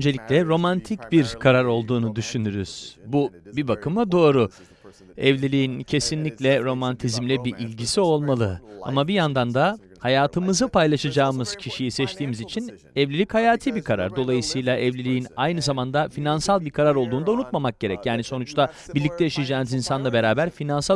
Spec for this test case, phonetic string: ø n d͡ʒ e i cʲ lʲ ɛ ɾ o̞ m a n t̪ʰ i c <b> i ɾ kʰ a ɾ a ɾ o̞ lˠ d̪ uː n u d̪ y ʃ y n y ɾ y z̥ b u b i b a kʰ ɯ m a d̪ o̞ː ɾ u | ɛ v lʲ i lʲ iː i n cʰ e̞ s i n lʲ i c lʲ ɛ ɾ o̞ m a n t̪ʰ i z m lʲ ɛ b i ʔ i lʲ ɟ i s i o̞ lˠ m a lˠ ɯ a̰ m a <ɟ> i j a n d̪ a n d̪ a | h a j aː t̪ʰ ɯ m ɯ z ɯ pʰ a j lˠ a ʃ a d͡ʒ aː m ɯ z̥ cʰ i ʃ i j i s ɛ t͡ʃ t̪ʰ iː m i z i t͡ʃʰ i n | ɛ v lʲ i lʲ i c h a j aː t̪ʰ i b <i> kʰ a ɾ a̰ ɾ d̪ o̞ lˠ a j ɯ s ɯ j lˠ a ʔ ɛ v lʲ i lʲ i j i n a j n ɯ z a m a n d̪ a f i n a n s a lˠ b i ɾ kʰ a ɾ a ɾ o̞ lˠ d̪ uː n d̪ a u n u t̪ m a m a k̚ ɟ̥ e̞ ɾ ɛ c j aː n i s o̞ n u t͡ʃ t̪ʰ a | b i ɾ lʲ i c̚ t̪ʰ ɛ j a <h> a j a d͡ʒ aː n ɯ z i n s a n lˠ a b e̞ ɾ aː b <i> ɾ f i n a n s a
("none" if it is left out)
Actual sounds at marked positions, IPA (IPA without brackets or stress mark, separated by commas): b, b, i, ʃ, æ